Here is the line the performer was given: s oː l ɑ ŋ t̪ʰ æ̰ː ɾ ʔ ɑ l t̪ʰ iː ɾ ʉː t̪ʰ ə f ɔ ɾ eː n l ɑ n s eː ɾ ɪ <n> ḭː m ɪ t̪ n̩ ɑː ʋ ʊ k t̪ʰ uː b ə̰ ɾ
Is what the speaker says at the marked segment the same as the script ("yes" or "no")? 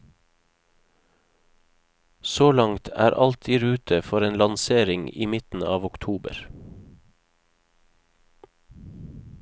no